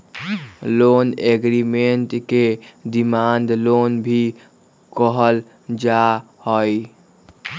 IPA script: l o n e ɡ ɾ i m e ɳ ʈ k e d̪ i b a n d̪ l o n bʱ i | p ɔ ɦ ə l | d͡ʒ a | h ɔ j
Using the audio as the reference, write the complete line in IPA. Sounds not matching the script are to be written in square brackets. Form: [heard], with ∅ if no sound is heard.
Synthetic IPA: l o n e ɡ ɾ i m e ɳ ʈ k e d̪ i [m] a n d̪ l o n bʱ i | [k] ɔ ɦ ə l | d͡ʒ a | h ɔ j